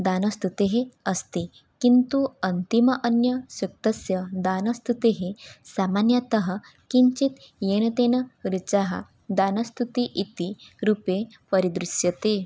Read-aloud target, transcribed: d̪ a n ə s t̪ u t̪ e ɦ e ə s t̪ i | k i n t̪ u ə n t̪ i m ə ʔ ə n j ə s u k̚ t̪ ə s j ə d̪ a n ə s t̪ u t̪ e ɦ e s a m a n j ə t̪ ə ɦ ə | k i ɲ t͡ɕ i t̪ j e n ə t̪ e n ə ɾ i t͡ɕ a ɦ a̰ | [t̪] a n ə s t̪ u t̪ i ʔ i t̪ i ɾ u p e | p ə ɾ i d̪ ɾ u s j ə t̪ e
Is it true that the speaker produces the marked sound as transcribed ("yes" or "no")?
no